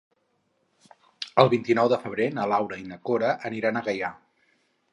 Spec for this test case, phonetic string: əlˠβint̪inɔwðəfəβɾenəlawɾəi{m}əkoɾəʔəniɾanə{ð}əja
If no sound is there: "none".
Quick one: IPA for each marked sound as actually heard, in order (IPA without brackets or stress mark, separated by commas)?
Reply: n, ɣ